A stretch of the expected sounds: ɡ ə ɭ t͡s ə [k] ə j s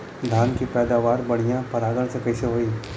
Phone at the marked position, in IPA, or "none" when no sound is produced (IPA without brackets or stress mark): k